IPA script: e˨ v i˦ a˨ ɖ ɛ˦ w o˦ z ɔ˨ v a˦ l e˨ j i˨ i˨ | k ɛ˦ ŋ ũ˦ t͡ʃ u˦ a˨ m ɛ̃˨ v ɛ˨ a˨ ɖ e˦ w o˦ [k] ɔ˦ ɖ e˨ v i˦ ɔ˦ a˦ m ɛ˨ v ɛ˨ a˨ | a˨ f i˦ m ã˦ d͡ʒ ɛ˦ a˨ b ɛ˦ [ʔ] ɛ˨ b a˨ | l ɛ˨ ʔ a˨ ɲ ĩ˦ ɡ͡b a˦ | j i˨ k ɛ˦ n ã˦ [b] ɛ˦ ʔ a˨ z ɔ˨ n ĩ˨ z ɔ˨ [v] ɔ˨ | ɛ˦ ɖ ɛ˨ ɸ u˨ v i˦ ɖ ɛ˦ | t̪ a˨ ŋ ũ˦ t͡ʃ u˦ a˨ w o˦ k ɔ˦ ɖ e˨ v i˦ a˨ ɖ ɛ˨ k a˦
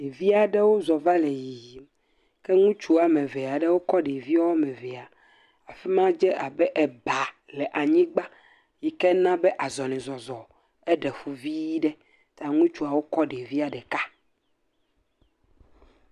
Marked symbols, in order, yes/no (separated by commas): yes, yes, yes, no